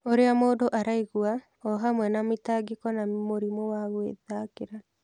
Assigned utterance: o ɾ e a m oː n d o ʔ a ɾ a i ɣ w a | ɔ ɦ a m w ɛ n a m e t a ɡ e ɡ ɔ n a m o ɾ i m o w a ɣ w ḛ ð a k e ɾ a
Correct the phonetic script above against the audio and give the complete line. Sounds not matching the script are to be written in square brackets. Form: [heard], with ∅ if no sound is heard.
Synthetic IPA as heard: o ɾ e a m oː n d o ʔ a ɾ a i ɣ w a | ɔ ɦ a m w ɛ n a m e t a ɡ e [k] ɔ n a m o ɾ i m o w a ɣ w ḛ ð a k e ɾ a